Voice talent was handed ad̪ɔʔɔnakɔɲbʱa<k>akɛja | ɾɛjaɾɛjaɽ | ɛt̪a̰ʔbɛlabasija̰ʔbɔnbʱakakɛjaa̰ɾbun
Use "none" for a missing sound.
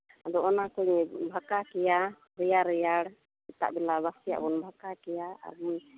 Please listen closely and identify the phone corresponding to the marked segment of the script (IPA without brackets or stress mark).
k